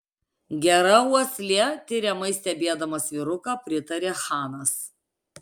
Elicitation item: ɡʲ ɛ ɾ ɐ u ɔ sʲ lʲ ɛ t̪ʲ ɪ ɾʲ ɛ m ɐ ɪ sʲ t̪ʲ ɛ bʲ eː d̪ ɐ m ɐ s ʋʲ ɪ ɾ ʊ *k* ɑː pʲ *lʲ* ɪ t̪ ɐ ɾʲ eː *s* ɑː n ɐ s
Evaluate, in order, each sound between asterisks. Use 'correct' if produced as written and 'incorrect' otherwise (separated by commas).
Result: correct, incorrect, incorrect